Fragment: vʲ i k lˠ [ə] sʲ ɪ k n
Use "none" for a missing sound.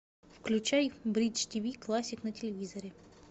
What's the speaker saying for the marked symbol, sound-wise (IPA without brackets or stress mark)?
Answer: a